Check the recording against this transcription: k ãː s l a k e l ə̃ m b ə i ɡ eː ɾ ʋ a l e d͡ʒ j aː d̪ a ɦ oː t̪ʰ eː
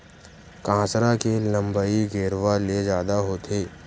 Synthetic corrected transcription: k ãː s ɾ a k e l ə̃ m b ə i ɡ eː ɾ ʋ a l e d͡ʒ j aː d̪ a ɦ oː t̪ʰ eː